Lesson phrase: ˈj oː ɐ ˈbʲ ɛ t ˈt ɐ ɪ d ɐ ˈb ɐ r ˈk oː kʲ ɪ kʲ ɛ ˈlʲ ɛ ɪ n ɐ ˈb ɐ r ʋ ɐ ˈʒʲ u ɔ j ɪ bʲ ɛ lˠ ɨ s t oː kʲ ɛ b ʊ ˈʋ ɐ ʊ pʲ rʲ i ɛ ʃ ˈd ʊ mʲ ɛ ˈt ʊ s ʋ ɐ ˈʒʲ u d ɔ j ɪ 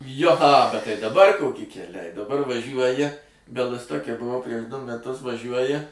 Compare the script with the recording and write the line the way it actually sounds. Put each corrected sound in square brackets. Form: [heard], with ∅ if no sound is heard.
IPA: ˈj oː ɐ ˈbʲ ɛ t ˈt ɐ ɪ d ɐ ˈb ɐ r ˈk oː kʲ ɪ kʲ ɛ ˈlʲ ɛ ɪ [d] ɐ ˈb ɐ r ʋ ɐ ˈʒʲ u ɔ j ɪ bʲ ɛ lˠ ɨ s t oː kʲ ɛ b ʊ ˈʋ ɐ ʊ pʲ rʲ i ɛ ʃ ˈd ʊ mʲ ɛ ˈt ʊ s ʋ ɐ ˈʒʲ u [∅] ɔ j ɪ